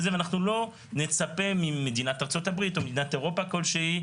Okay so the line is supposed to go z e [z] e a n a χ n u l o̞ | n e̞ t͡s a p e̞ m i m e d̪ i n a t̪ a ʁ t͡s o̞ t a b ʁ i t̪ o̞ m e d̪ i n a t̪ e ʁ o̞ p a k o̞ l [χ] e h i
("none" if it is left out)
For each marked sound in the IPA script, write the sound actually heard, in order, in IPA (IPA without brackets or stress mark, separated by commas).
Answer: v, ʃ